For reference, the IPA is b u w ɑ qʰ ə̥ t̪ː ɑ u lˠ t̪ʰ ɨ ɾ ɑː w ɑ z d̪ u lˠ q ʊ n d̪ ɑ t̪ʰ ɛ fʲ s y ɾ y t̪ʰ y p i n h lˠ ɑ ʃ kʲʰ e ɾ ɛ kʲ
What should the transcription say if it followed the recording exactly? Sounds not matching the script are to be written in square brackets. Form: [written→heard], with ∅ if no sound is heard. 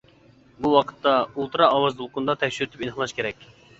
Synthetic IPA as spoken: b u w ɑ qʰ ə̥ t̪ː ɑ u lˠ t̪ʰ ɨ ɾ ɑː w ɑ z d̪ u lˠ q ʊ n d̪ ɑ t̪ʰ ɛ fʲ [s→ʃ] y ɾ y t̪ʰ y p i n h lˠ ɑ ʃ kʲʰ e ɾ ɛ kʲ